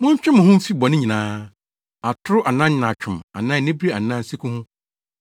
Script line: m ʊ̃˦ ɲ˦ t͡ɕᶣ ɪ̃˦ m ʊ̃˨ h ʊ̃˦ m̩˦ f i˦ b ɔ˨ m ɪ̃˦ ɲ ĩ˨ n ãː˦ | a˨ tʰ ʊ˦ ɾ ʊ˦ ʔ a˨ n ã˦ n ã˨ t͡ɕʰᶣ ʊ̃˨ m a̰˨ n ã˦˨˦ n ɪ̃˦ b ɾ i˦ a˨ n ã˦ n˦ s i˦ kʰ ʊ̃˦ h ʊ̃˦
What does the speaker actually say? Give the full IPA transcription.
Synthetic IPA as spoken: m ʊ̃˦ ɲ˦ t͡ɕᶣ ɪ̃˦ m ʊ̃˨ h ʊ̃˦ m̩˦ f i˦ b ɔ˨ n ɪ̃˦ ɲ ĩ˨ n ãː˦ | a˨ tʰ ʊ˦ ɾ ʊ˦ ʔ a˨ n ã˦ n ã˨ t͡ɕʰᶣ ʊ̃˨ m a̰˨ n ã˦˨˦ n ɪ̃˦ b ɾ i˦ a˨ n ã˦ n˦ s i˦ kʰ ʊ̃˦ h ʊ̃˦